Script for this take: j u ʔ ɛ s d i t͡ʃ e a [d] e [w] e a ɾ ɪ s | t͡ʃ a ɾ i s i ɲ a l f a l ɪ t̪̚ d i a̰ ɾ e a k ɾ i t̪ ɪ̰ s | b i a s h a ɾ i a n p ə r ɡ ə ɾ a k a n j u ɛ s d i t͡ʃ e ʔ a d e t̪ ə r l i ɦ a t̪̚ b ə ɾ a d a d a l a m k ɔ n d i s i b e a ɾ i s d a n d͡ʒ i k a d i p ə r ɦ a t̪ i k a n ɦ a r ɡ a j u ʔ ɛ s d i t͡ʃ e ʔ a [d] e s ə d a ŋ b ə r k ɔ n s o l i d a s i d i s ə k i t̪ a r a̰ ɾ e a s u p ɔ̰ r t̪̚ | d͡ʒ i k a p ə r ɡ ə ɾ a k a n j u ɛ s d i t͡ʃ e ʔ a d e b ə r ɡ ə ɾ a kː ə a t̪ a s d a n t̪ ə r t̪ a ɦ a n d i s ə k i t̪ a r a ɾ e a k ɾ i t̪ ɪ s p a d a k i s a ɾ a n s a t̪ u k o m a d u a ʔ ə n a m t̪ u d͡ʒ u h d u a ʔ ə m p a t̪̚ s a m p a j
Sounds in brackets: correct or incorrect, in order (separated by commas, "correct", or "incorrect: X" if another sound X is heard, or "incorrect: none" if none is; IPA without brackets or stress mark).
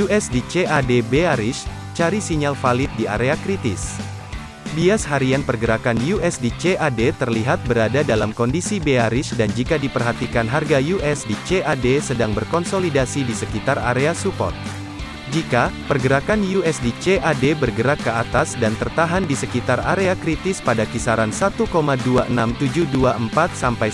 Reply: correct, incorrect: b, correct